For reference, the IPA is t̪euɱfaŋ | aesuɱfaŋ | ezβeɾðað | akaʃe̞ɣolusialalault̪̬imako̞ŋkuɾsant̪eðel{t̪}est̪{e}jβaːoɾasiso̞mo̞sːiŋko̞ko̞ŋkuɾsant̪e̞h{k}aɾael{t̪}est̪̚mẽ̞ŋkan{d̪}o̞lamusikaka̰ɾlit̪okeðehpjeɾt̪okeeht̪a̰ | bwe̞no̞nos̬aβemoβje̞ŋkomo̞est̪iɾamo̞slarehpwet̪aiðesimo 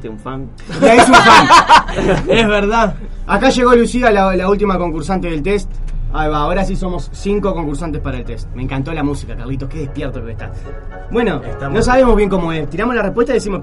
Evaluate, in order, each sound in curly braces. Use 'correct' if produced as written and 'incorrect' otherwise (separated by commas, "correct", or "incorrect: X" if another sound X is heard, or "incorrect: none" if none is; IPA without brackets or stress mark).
correct, incorrect: a, incorrect: p, correct, incorrect: t̪